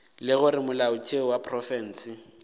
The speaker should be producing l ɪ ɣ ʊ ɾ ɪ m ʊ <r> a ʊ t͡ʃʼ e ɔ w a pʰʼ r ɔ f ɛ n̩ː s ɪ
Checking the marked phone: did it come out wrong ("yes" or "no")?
yes